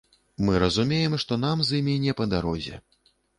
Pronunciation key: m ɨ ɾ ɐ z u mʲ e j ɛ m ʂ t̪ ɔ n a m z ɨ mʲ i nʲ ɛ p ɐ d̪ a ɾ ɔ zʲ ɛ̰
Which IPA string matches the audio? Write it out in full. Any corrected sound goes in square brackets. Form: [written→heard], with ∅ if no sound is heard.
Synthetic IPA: m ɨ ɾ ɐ z u mʲ e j ɛ m ʂ t̪ ɔ n a m z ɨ mʲ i nʲ ɛ p ɐ d̪ a ɾ ɔ zʲ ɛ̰